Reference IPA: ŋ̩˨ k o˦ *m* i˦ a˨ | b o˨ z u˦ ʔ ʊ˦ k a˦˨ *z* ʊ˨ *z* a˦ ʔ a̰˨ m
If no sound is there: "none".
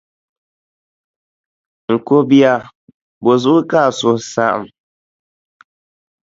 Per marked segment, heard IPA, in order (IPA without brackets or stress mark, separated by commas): b, s, s